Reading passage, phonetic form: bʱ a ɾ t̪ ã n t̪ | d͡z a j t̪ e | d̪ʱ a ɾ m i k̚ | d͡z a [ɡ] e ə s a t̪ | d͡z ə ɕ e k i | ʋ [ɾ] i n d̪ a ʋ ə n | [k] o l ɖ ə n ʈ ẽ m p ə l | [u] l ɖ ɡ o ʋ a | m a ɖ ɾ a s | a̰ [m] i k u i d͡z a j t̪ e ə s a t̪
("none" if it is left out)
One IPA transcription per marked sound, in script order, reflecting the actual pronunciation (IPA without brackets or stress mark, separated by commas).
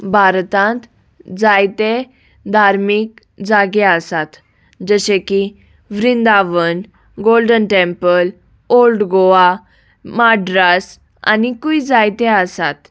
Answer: ɡ, ɾ, ɡ, o, n